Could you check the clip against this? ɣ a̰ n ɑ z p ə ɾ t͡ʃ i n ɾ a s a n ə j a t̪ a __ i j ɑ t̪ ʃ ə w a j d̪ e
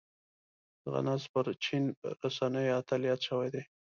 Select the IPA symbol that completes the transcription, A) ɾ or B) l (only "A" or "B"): B